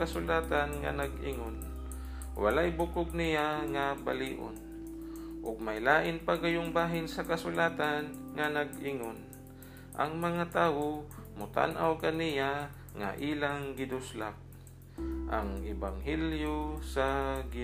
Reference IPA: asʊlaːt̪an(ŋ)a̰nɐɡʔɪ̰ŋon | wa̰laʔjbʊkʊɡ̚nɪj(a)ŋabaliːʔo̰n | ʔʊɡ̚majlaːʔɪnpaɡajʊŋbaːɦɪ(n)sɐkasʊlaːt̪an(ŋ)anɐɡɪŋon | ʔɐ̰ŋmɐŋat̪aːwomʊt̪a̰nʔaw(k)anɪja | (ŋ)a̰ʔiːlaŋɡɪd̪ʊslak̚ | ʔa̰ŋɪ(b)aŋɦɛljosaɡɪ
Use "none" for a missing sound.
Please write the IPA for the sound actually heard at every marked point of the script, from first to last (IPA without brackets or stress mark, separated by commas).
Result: ŋ, a, n, ŋ, k, ŋ, b